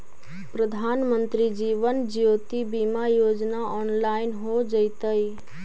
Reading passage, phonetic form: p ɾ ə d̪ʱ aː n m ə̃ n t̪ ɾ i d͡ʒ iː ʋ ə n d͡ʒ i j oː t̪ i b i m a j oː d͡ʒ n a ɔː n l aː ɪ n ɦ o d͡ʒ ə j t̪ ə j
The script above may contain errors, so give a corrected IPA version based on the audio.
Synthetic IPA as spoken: p ɾ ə d̪ʱ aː n m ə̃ n t̪ ɾ i d͡ʒ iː ʋ ə n d͡ʒ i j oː t̪ i b i m a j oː d͡ʒ n a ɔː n l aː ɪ n ɦ o d͡ʒ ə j t̪ ə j

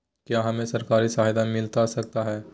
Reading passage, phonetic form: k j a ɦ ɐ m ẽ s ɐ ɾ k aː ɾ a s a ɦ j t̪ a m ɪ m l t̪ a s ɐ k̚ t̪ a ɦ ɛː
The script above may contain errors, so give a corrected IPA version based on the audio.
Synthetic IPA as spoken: k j a ɦ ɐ m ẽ s ɐ ɾ k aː ɾ i s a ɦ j d̪ a m ɪ l t̪ a s ɐ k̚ t̪ a ɦ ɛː

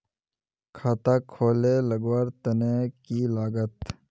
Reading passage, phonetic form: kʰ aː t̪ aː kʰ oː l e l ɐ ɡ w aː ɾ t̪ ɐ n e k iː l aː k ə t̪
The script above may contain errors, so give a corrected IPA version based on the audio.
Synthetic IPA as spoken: kʰ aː t̪ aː kʰ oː l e l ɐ ɡ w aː ɾ t̪ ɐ n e k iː l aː ɡ ə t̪

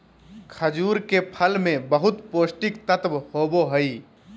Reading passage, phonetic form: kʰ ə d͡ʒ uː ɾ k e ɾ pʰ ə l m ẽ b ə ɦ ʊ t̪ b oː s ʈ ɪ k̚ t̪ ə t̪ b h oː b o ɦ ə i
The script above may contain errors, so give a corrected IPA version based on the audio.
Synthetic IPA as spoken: kʰ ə d͡ʒ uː ɾ k e pʰ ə l m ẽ b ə ɦ ʊ t̪ p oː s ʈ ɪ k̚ t̪ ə t̪ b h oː b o ɦ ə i

